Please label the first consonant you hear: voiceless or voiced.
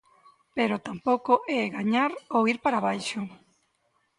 voiceless